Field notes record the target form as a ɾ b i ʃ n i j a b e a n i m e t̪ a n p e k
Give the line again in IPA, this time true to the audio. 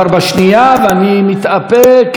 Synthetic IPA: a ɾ b a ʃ n i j a v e a n i m i t̪ a p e k